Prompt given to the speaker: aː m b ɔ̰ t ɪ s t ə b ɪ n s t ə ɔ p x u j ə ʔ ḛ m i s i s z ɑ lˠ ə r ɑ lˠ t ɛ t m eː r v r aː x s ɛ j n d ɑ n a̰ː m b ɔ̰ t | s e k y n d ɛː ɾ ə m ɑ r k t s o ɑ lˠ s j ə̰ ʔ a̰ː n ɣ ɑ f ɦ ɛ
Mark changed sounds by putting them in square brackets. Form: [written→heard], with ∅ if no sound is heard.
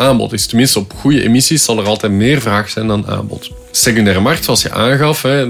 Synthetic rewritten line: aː m b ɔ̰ t ɪ s t ə [b→m] ɪ n s t ə ɔ p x u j ə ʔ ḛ m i s i s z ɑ lˠ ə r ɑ lˠ t ɛ t m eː r v r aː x s ɛ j n d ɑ n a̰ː m b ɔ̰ t | s e k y n d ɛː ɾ ə m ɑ r k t s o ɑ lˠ s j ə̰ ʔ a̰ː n ɣ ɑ f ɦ ɛ